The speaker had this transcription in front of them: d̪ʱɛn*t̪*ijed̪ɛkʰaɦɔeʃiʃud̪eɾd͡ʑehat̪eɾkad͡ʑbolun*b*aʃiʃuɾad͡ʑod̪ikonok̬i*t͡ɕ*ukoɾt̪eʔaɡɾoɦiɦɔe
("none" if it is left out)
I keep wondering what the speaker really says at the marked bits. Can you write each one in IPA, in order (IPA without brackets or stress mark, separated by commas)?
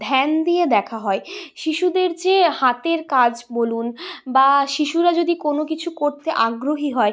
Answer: d̪, b, t͡ɕʰ